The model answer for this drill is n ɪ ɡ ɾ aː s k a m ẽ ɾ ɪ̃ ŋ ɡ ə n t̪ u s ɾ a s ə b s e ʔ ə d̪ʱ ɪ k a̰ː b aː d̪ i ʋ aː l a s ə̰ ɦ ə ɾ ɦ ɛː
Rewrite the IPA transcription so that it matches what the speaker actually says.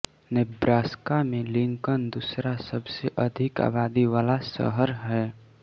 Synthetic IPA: n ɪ b ɾ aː s k a m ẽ l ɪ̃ ŋ k ə n d̪ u s ɾ a s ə b s e ʔ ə d̪ʱ ɪ k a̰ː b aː d̪ i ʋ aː l a s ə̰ ɦ ə ɾ ɦ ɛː